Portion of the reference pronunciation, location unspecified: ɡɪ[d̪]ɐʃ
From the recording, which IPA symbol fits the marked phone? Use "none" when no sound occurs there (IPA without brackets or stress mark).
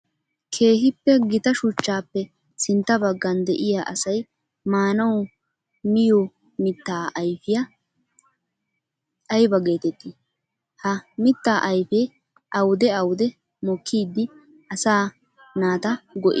t̪